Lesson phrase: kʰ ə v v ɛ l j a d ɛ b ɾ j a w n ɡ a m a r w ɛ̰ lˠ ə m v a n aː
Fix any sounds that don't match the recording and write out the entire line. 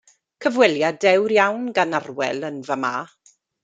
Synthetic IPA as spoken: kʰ ə v w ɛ l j a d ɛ w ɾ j a w n ɡ a n a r w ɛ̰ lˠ ə n v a m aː